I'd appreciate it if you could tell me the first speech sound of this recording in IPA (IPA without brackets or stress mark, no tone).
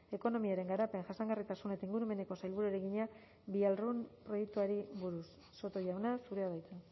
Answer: e̞